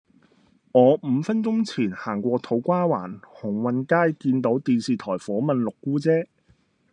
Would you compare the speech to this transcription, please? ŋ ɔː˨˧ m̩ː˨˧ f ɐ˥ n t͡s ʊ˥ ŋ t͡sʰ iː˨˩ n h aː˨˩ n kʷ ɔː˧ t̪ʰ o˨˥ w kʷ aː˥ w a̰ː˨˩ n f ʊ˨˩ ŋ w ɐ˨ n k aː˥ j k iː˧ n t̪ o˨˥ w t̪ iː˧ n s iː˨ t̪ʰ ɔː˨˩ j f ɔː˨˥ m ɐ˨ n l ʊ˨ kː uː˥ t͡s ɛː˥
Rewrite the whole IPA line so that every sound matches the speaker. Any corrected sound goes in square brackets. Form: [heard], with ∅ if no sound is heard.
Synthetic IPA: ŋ ɔː˨˧ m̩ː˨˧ f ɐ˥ n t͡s ʊ˥ ŋ t͡sʰ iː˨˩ n h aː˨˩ [ŋ] kʷ ɔː˧ t̪ʰ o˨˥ w kʷ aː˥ w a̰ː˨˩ n [h] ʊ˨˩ ŋ w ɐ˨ n k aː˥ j k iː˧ n t̪ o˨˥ w t̪ iː˧ n s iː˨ t̪ʰ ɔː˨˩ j f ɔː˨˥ m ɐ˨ n l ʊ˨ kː uː˥ t͡s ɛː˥

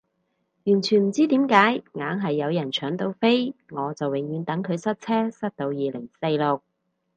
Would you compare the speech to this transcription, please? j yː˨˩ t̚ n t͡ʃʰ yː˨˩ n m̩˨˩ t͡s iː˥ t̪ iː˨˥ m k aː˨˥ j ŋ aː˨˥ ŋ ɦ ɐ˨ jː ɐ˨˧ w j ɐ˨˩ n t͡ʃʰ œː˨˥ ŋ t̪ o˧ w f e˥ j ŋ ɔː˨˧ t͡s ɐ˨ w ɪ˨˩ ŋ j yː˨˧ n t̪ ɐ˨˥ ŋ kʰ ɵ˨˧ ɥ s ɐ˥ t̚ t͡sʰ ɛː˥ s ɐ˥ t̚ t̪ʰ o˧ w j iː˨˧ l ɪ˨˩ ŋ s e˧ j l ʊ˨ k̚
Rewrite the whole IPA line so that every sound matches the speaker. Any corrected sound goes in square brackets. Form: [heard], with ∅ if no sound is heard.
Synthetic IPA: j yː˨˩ [∅] n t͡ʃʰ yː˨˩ n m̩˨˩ t͡s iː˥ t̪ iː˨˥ m k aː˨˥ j ŋ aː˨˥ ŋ ɦ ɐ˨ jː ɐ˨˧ w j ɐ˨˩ n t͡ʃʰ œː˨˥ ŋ t̪ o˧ w f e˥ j ŋ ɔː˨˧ t͡s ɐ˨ w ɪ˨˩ ŋ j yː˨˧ n t̪ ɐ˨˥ ŋ kʰ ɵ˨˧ ɥ s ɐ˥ t̚ t͡sʰ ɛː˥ s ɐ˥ t̚ [t̪] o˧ w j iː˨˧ l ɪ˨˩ ŋ s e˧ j l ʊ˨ k̚

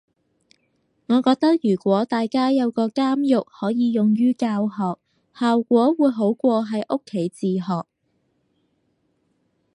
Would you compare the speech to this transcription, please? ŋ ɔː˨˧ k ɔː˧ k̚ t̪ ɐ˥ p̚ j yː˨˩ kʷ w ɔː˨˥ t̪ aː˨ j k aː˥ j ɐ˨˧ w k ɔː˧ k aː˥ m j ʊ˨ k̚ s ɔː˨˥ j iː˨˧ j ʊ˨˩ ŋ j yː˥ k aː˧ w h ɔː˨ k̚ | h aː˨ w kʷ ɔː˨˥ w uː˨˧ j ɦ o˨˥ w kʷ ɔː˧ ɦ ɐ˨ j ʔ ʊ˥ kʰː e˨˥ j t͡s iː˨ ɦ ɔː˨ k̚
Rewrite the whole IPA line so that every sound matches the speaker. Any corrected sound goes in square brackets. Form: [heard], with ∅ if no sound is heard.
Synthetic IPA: ŋ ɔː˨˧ k ɔː˧ k̚ t̪ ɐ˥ [k̚] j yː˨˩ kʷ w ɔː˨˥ t̪ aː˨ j k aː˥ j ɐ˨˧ w k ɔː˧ k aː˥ m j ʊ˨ k̚ [h] ɔː˨˥ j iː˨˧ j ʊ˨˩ ŋ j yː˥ k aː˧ w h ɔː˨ k̚ | h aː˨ w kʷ ɔː˨˥ w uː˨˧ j ɦ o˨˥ w kʷ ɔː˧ ɦ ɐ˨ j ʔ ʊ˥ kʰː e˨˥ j t͡s iː˨ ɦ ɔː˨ k̚

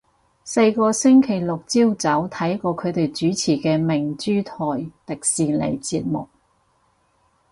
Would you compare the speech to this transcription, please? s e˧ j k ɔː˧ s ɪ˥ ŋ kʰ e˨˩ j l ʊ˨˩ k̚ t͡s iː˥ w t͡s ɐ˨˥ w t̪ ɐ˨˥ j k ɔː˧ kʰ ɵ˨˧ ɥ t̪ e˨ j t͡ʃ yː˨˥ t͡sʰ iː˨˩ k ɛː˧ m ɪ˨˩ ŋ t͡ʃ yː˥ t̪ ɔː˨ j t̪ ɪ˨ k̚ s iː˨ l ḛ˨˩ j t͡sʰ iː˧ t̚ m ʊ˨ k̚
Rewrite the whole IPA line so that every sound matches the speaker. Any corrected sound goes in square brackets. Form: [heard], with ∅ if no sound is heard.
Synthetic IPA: s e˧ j k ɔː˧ s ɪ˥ ŋ kʰ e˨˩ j l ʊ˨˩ k̚ t͡s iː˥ w t͡s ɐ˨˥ w [t̪ʰ] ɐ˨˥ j k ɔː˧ kʰ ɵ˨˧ ɥ t̪ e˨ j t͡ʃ yː˨˥ t͡sʰ iː˨˩ k ɛː˧ m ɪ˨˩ ŋ t͡ʃ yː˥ [t̪ʰ] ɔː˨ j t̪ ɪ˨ k̚ s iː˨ l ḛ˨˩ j [t͡s] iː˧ t̚ m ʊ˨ k̚

